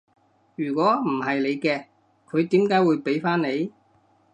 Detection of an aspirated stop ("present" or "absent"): present